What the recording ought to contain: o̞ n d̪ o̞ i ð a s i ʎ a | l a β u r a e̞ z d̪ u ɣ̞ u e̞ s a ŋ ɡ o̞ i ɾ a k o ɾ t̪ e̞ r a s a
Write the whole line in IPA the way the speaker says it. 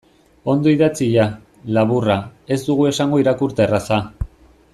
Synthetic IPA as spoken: o̞ n d̪ o̞ i ð a t͡s i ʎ a | l a β u r a e̞ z d̪ u ɣ̞ u e̞ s a ŋ ɡ o̞ i ɾ a k u ɾ t̪ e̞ r a s a

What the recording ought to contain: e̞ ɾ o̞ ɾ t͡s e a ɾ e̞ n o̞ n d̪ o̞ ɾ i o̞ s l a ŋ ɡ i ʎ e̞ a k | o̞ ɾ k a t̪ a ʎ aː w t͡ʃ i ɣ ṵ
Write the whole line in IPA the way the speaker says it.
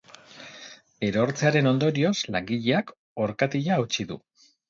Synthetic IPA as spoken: e̞ ɾ o̞ ɾ t͡s e a ɾ e̞ n o̞ n d̪ o̞ ɾ i o̞ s l a ŋ ɡ i ʎ e̞ a k | o̞ ɾ k a t̪ i ʎ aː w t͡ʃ i ð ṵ

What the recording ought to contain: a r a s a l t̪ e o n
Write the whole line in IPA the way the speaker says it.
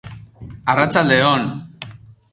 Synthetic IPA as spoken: a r a t͡s a l d̪ e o n

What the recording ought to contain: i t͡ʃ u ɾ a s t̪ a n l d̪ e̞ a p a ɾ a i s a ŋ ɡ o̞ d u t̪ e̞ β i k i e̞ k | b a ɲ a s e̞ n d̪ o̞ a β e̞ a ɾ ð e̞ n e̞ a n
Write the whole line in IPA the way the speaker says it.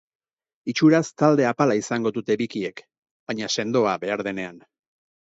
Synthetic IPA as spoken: i t͡ʃ u ɾ a s t̪ a l d̪ e̞ a p a l a i s a ŋ ɡ o̞ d u t̪ e̞ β i k i e̞ k | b a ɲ a s e̞ n d̪ o̞ a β e̞ a ɾ ð e̞ n e̞ a n

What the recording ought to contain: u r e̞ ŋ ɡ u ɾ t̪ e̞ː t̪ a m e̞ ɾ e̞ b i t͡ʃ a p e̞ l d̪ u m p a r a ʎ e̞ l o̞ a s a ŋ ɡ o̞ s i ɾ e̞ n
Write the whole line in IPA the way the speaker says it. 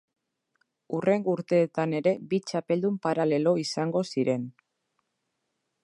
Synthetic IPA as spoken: u r e̞ ŋ ɡ u ɾ t̪ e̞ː t̪ a n e̞ ɾ e̞ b i t͡ʃ a p e̞ l d̪ u m p a ɾ a l e̞ l o̞ i s a ŋ ɡ o̞ s i ɾ e̞ n

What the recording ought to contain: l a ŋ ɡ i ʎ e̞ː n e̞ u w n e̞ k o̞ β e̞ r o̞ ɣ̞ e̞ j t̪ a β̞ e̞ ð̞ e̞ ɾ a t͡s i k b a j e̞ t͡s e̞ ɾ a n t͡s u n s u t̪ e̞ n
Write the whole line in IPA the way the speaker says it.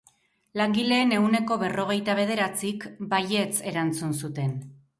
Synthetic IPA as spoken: l a ŋ ɡ i l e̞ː n e̞ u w n e̞ k o̞ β e̞ r o̞ ɣ̞ e̞ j t̪ a β̞ e̞ ð̞ e̞ ɾ a t͡s i k b a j e̞ t͡s e̞ ɾ a n t͡s u n s u t̪ e̞ n

